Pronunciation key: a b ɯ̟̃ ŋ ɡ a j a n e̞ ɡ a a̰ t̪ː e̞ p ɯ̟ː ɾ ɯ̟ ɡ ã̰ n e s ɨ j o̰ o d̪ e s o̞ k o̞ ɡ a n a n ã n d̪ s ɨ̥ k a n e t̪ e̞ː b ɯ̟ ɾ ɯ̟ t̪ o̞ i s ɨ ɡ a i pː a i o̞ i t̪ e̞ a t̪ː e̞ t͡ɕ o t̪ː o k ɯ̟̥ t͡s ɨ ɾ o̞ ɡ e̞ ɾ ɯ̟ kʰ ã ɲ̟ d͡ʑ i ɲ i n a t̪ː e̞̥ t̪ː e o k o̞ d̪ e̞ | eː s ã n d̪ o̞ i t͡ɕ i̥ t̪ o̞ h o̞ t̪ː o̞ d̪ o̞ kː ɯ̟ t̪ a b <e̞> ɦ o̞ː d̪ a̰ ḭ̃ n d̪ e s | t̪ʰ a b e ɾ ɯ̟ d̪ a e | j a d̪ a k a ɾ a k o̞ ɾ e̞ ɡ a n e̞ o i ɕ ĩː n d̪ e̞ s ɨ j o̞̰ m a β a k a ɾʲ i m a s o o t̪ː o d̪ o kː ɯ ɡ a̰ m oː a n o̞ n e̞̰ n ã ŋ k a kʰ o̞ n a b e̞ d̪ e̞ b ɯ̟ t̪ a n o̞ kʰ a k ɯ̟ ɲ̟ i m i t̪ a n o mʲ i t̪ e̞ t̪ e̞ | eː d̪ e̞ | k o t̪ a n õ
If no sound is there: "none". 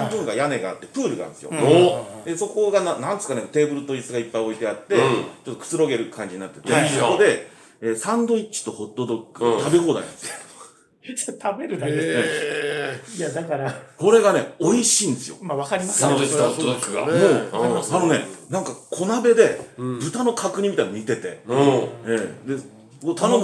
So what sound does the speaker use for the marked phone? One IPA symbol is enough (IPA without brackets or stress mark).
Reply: e̞